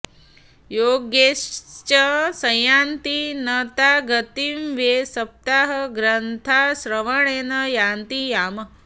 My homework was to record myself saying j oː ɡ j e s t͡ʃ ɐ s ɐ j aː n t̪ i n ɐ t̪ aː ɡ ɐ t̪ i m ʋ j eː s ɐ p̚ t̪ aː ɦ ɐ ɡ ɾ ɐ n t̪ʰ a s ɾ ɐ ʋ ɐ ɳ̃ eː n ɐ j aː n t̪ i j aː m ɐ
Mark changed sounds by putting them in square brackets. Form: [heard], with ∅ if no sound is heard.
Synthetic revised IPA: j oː ɡ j e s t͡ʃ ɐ s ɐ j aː n t̪ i n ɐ t̪ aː ɡ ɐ t̪ i m ʋ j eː s ɐ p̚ t̪ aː ɦ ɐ ɡ ɾ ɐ n t̪ʰ a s ɾ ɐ ʋ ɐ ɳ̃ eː n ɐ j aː n t̪ i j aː m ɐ